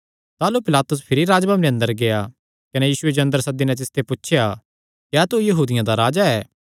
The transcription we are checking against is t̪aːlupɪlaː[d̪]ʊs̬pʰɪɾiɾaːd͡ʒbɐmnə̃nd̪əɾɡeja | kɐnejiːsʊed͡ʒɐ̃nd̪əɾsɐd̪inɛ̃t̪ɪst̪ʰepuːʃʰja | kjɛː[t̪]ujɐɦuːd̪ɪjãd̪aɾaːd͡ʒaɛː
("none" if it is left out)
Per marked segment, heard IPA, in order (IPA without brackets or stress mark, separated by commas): t̪, t̪